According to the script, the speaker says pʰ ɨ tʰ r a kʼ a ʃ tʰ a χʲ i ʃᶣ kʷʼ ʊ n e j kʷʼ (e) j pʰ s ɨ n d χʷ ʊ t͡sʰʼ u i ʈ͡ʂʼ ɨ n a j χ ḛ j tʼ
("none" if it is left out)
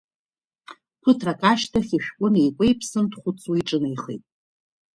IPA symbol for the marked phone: e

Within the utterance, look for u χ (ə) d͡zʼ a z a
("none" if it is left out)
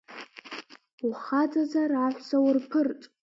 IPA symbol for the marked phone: a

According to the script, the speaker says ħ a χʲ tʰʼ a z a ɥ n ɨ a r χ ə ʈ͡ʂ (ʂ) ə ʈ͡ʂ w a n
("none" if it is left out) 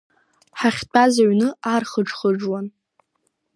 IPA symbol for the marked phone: χ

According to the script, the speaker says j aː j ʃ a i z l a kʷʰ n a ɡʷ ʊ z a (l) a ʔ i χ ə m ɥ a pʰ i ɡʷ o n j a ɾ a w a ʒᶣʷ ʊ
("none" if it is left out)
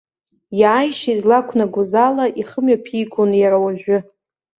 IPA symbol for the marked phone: l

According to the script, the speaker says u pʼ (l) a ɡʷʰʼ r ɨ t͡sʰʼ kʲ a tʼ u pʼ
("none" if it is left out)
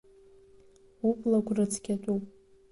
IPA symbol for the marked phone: l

